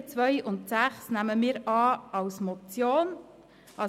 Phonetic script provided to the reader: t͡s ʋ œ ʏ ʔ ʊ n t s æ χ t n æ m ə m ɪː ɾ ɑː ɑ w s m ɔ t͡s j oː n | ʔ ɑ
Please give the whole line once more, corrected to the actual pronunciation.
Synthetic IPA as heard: t͡s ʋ œ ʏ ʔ ʊ n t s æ χ s n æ m ə m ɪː ɾ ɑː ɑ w s m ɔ t͡s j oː n | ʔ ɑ